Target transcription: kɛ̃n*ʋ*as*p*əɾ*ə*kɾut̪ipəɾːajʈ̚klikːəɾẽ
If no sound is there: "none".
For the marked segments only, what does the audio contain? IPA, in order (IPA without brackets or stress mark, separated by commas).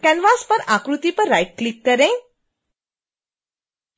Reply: ʋ, p, a